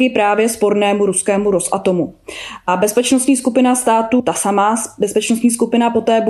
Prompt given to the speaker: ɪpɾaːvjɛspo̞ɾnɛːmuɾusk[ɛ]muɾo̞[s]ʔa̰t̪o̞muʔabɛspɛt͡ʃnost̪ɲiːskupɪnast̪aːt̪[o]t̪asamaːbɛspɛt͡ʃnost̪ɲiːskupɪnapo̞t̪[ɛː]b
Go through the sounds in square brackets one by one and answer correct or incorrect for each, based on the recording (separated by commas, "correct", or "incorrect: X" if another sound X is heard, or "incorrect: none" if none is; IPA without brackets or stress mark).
incorrect: ɛː, correct, incorrect: u, correct